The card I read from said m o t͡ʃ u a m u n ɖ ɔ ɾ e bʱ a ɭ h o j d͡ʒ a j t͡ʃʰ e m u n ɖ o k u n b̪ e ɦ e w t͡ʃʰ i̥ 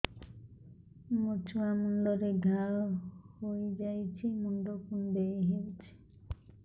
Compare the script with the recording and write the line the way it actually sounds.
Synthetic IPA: m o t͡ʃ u a m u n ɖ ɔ ɾ e ɡʱ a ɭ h o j d͡ʒ a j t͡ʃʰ i m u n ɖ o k u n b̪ e ɦ e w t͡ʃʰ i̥